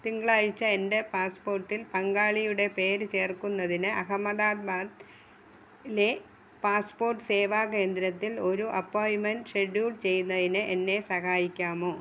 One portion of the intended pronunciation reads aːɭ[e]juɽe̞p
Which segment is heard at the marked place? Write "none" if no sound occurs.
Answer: i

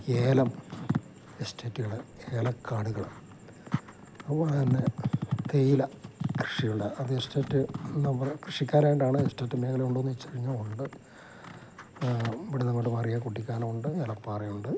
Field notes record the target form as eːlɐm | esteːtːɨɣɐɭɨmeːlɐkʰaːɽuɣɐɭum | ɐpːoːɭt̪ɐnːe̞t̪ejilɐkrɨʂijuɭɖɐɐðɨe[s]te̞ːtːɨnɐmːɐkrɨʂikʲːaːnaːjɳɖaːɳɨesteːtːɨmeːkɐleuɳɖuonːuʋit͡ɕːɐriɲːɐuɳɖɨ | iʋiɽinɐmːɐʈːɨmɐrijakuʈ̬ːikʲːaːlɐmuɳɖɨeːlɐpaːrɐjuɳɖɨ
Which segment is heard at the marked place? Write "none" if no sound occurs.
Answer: s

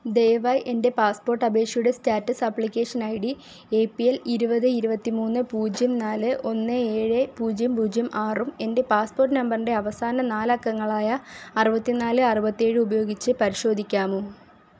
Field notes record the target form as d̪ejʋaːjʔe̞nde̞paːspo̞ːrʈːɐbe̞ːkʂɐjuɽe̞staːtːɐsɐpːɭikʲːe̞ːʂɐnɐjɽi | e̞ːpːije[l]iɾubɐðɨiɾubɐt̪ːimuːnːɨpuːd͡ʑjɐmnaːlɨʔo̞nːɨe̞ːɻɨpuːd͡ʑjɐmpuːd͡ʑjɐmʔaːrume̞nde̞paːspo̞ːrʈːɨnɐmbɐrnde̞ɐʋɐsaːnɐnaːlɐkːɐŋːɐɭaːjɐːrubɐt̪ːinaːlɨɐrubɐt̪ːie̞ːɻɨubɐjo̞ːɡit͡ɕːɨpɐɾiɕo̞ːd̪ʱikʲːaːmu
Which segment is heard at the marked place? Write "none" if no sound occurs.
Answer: l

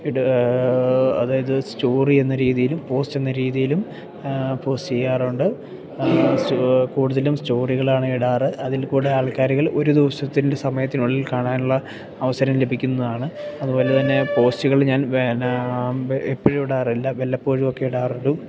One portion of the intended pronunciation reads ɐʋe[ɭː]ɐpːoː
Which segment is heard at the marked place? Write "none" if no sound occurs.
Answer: lː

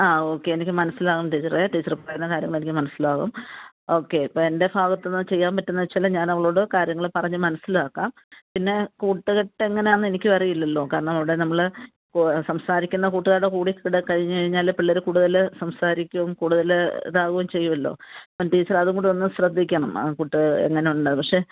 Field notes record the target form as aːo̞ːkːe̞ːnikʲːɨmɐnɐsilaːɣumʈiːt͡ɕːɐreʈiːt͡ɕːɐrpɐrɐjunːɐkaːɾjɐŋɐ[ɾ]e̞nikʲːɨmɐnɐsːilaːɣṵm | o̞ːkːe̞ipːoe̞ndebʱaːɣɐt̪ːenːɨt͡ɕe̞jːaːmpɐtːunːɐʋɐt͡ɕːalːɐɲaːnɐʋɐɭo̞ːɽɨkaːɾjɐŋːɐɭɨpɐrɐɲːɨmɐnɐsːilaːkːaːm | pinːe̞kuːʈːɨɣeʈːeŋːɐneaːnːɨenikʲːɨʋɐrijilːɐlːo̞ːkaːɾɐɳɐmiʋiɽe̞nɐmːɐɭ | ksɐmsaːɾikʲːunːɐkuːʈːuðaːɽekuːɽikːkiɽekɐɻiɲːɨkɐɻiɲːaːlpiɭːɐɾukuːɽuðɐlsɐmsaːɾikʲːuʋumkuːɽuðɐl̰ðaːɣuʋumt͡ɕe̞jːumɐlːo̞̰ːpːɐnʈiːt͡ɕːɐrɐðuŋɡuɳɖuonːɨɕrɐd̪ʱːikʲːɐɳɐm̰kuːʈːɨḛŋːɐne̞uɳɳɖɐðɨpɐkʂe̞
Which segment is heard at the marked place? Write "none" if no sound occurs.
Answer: ɭ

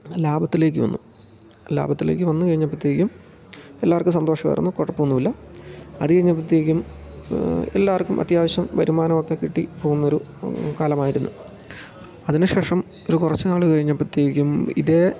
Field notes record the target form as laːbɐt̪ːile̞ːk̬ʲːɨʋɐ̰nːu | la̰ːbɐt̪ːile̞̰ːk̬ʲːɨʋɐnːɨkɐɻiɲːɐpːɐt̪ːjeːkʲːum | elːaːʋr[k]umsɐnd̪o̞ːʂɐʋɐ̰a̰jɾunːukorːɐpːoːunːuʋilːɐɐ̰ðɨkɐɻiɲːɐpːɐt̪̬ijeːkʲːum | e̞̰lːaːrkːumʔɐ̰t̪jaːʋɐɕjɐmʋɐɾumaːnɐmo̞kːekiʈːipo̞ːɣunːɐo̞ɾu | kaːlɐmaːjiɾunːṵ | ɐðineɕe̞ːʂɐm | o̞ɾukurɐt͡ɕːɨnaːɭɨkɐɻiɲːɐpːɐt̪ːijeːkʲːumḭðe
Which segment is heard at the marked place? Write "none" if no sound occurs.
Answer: k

